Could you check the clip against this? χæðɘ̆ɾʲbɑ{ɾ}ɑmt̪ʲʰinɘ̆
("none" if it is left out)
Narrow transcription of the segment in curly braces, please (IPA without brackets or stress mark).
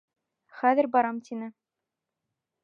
ɾ